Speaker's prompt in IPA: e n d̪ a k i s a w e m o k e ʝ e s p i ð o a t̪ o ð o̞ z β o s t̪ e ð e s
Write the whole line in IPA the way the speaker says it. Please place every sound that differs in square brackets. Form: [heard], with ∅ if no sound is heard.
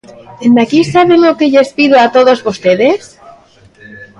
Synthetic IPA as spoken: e n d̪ a k i s a [β] e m o k e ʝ e s p i ð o a t̪ o ð o̞ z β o s t̪ e ð e s